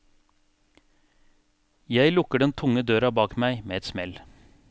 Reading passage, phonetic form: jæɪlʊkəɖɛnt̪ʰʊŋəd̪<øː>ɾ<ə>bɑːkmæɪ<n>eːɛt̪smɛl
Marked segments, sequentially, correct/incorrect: correct, incorrect: ɑ, incorrect: m

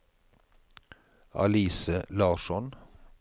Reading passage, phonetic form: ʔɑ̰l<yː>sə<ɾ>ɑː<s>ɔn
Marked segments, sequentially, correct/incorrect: incorrect: iː, incorrect: l, incorrect: ʃ

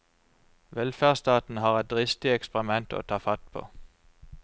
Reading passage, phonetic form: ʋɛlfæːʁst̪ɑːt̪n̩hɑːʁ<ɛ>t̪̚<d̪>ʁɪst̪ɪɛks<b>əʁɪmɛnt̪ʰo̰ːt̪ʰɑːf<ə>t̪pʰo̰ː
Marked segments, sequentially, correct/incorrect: correct, correct, incorrect: p, incorrect: ɑ

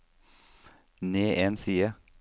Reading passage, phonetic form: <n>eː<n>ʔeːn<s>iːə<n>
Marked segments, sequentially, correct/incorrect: correct, incorrect: none, correct, incorrect: none

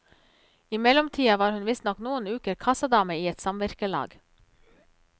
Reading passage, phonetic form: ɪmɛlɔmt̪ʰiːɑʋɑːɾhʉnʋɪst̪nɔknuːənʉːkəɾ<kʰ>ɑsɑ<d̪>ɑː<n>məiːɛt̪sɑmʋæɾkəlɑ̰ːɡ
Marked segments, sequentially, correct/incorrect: correct, correct, incorrect: none

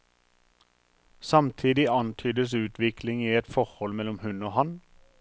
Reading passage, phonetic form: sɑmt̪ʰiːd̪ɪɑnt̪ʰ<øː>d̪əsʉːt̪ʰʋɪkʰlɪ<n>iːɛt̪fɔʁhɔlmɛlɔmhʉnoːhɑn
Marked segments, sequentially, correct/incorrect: incorrect: yː, incorrect: ŋ

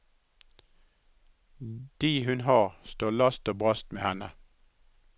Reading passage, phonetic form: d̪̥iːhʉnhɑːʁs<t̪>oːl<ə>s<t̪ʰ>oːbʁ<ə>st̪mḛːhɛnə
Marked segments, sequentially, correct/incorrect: correct, incorrect: ɑ, incorrect: t̪, incorrect: ɑ

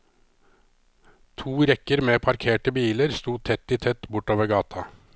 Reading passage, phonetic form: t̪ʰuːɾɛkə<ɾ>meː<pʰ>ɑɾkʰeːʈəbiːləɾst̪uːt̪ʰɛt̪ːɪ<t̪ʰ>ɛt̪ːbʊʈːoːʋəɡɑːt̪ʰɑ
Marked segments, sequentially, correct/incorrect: correct, correct, correct

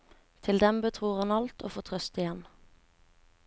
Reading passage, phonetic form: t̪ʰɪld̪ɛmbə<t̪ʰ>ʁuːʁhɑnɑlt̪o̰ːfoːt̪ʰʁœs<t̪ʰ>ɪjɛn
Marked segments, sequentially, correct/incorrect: correct, incorrect: t̪

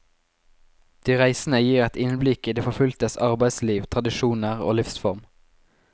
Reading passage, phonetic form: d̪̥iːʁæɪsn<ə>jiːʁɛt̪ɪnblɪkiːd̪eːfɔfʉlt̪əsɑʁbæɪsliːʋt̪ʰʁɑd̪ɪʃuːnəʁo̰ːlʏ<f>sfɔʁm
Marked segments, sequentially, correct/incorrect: correct, correct

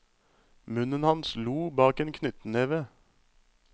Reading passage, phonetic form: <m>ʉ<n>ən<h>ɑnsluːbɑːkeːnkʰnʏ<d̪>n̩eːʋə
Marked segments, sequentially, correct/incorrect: correct, correct, correct, incorrect: t̪

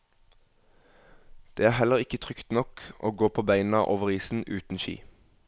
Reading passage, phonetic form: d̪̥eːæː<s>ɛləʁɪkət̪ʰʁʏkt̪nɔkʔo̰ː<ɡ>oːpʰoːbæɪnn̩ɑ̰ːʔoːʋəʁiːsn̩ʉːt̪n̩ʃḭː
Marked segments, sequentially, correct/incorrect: incorrect: h, correct

